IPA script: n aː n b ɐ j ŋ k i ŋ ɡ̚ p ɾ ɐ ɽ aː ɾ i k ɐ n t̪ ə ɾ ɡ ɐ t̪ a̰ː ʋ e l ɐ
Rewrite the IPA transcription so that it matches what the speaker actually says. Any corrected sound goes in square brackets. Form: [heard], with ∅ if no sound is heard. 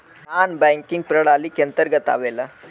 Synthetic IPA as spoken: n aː n b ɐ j ŋ k i ŋ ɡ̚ p ɾ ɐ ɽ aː [l] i k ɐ n t̪ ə ɾ ɡ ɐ t̪ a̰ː ʋ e l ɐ